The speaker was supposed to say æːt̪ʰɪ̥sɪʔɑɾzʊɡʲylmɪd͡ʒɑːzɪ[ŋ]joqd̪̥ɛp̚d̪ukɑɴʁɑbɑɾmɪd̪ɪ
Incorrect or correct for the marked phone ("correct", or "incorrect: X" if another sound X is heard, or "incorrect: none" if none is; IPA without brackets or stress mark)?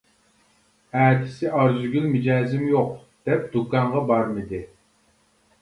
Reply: incorrect: m